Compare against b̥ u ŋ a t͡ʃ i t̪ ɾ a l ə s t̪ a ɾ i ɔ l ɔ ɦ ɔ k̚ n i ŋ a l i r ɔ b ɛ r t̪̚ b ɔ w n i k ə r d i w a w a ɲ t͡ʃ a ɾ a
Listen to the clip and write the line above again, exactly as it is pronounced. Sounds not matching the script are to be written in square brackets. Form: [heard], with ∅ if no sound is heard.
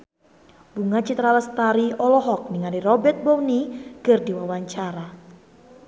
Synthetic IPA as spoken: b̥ u ŋ a t͡ʃ i t̪ ɾ a l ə s t̪ a ɾ i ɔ l ɔ ɦ ɔ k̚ n i ŋ a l i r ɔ b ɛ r t̪̚ b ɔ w n i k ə r d i w a w a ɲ t͡ʃ a ɾ a